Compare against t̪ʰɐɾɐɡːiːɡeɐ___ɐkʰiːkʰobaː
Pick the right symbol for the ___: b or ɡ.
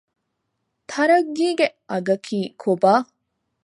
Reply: ɡ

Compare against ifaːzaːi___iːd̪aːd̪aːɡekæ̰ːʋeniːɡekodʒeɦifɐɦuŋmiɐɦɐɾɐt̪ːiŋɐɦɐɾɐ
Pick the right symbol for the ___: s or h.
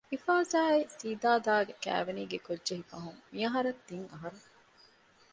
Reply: s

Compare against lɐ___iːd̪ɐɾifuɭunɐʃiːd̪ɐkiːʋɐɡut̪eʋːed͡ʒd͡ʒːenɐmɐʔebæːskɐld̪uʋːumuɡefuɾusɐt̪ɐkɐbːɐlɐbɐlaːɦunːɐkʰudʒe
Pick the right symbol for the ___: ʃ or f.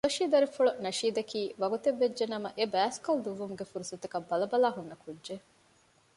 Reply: ʃ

